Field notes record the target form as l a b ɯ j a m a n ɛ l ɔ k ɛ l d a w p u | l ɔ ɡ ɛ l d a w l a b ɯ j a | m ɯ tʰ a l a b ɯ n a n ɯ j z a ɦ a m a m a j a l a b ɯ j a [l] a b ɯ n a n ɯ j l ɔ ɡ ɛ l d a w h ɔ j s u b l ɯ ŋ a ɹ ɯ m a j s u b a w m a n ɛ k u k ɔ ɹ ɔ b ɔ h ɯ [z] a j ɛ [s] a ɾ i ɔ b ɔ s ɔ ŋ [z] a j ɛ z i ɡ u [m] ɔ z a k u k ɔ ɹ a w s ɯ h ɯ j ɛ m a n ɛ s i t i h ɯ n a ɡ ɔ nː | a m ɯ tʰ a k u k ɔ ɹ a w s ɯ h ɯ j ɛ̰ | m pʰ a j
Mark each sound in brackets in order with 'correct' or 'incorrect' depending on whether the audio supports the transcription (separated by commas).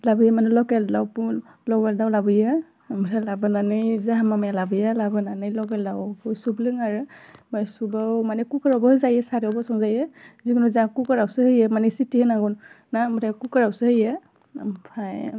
correct, correct, correct, correct, incorrect